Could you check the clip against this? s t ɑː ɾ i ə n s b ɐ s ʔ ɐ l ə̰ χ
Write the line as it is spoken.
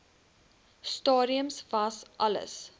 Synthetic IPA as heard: s t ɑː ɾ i ə m s v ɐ s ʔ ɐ l ə̰ s